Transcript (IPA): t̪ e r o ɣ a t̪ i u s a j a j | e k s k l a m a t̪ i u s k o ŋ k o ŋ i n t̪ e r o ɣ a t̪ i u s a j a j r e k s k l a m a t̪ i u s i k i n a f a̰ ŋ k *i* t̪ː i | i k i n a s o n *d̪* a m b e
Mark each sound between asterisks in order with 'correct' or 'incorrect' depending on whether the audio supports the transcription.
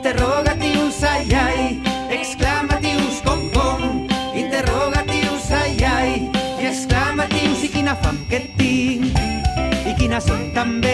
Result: incorrect: e, incorrect: t̪

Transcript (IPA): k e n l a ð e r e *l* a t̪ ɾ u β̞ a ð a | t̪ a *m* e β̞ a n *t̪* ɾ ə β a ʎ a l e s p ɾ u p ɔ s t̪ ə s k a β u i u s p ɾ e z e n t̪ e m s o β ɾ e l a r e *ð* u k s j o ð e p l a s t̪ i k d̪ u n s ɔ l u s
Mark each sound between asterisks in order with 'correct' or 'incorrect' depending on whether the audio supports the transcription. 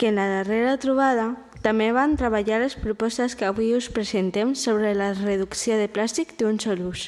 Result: incorrect: ɾ, correct, correct, correct

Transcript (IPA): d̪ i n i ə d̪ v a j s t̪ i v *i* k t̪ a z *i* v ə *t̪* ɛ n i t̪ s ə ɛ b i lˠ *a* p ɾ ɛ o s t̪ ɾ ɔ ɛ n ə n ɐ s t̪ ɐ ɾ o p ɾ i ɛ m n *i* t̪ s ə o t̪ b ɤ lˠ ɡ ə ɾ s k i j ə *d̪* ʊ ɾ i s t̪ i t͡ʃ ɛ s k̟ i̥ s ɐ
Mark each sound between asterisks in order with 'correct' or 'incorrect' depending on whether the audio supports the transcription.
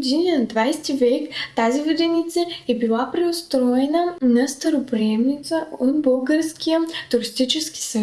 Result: incorrect: ɛ, correct, incorrect: d̪, correct, correct, incorrect: t̪

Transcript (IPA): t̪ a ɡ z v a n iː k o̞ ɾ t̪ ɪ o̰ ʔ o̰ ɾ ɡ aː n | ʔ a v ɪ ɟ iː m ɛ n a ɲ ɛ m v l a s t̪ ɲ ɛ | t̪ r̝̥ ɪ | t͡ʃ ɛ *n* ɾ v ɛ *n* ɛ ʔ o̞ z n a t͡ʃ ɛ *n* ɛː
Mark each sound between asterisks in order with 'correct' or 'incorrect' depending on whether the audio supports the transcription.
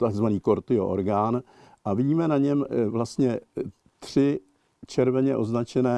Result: incorrect: none, incorrect: ɲ, correct

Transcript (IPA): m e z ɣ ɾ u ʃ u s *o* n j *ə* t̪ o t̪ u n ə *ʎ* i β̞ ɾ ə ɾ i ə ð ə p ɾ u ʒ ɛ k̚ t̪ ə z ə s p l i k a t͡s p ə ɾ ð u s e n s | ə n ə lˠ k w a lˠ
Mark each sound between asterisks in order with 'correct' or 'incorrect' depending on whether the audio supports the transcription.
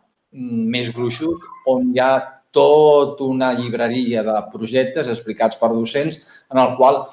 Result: correct, incorrect: a, correct

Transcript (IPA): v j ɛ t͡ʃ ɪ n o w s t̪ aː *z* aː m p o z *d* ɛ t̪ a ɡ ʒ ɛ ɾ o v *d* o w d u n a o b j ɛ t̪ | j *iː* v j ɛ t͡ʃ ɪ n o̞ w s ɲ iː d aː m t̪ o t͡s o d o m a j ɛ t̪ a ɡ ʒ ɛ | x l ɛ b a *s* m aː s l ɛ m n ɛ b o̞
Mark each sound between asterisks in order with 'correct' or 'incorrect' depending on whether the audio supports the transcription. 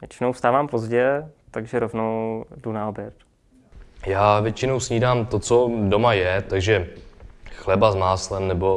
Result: incorrect: v, incorrect: ɟ, incorrect: n, incorrect: aː, incorrect: z

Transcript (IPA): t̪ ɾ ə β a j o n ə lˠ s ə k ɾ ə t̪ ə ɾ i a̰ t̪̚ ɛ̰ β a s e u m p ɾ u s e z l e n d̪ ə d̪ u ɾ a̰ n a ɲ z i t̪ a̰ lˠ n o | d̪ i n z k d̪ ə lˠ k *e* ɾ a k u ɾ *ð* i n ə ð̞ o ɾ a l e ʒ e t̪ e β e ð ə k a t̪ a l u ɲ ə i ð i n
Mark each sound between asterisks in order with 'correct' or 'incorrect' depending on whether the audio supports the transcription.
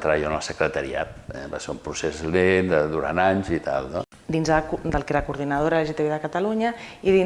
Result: correct, correct

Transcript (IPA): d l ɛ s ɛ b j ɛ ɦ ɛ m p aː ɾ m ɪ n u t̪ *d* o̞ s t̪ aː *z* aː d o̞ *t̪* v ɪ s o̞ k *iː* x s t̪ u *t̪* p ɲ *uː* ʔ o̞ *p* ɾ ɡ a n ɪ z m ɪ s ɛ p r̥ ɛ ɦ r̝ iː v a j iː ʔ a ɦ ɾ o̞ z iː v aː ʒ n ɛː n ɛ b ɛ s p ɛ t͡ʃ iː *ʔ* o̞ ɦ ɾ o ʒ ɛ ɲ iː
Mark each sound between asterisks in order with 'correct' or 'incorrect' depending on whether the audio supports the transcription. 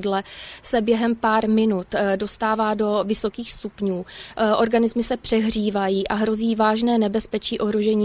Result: correct, incorrect: v, incorrect: none, correct, incorrect: none, correct, incorrect: none, correct

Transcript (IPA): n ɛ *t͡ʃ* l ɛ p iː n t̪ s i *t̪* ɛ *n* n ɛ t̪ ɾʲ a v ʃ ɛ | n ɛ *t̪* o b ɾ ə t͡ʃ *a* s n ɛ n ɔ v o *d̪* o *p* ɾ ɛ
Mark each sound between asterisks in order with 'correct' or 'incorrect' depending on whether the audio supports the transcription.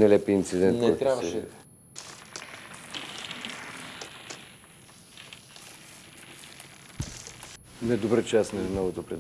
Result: incorrect: none, incorrect: d̪, correct, incorrect: d̪, correct, incorrect: t̪, correct

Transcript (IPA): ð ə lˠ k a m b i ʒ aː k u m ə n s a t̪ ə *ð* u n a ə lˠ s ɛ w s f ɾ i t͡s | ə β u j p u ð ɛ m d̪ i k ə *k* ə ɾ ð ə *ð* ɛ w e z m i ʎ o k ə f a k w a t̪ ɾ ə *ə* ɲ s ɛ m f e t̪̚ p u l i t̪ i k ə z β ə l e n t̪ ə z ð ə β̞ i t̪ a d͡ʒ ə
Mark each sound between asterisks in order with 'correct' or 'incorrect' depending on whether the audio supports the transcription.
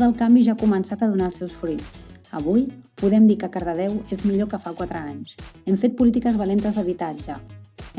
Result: correct, correct, correct, incorrect: a

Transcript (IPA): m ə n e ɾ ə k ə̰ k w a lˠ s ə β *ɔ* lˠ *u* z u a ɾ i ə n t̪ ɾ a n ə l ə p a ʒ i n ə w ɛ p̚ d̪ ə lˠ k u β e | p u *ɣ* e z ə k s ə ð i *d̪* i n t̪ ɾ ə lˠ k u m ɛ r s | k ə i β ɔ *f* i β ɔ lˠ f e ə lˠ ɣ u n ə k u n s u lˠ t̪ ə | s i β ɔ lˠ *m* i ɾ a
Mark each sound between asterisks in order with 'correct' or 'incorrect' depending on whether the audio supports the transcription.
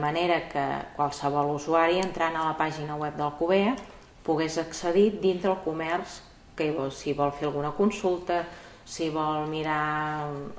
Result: correct, correct, correct, correct, incorrect: s, correct

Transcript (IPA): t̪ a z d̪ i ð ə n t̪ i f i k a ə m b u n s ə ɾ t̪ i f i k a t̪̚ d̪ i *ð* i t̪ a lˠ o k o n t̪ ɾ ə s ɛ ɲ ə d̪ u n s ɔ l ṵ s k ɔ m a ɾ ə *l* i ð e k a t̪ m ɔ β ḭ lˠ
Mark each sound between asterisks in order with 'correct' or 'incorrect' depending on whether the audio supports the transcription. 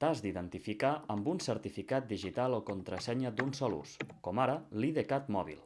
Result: incorrect: ʒ, correct

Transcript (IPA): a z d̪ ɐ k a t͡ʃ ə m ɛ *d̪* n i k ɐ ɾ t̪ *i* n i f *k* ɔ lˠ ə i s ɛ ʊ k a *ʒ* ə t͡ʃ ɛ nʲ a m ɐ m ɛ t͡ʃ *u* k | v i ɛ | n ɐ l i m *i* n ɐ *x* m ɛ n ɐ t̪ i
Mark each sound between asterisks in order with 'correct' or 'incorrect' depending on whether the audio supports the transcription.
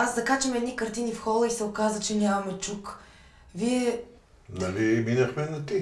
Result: correct, correct, incorrect: x, incorrect: z, correct, correct, correct

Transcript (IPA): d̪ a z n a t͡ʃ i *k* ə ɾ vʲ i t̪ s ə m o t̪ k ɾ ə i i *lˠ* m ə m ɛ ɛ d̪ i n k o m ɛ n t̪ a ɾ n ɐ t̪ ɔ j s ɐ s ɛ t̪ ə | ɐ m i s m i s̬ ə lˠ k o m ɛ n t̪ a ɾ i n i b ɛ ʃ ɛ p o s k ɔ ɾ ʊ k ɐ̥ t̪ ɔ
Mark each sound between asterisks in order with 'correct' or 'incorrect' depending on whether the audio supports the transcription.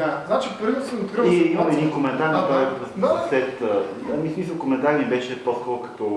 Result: incorrect: p, incorrect: none

